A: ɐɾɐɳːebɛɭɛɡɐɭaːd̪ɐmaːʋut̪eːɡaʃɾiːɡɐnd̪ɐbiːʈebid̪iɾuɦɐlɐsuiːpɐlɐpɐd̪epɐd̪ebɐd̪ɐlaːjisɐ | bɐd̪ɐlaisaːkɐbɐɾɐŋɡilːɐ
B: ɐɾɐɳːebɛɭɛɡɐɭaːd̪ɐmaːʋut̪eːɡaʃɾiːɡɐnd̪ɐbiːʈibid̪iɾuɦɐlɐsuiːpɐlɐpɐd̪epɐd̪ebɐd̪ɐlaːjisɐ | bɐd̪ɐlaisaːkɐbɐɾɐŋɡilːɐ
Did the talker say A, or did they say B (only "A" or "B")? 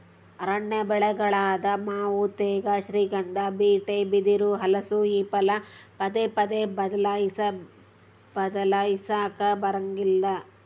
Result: A